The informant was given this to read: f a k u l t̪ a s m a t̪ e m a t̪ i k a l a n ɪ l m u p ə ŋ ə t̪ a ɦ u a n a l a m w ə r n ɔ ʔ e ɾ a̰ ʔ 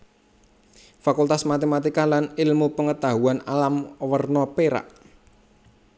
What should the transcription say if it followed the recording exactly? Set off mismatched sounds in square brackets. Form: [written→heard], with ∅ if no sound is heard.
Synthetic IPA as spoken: f a k u l t̪ a s m a t̪ e m a t̪ i k a l a n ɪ l m u p ə ŋ ə t̪ a ɦ u a n a l a m w ə r n ɔ [ʔ→p] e ɾ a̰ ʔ